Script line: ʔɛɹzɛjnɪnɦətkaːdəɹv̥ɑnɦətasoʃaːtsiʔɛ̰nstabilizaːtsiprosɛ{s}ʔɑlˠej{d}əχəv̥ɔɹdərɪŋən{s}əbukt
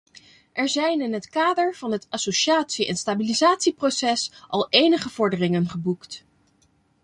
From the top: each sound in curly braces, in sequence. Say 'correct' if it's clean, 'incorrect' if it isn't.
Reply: correct, incorrect: n, incorrect: χ

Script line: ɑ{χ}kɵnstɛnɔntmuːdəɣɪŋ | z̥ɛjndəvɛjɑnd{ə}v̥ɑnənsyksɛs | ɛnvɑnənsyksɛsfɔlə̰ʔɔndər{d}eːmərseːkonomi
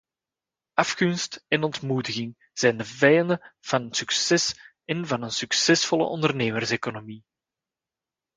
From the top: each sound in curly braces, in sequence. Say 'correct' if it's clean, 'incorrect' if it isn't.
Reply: incorrect: f, correct, incorrect: n

